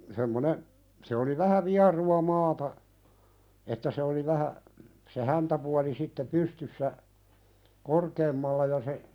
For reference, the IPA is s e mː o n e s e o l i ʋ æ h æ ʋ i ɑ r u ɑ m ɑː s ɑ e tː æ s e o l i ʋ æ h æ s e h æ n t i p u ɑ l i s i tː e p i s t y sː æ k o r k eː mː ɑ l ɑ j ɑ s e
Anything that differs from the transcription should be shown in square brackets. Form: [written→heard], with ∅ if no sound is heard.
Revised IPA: s e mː o n e s e o l i ʋ æ h æ ʋ i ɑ r u ɑ m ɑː [s→t] ɑ e tː æ s e o l i ʋ æ h æ s e h æ n t [i→æ] p u ɑ l i s i tː e p [i→y] s t y sː æ k o r k eː mː ɑ [l→lː] ɑ j ɑ s e